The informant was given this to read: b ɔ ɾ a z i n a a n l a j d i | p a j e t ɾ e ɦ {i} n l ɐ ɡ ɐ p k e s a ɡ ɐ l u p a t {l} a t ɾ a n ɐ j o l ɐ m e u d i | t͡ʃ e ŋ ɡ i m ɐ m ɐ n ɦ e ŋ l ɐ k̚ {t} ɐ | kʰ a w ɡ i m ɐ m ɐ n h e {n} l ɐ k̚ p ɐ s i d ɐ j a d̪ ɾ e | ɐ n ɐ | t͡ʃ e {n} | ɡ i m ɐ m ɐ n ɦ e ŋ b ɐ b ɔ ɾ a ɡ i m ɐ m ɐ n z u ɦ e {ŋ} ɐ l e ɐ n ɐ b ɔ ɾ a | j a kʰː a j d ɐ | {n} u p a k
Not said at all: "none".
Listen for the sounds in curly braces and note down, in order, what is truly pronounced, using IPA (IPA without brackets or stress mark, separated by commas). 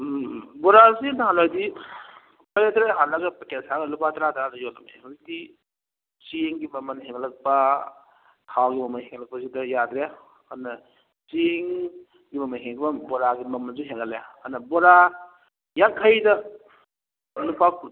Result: a, ɾ, p, ŋ, ŋ, ŋ, n